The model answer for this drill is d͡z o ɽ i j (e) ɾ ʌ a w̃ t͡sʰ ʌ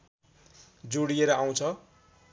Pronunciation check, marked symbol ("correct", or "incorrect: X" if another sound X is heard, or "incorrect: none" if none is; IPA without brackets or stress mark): correct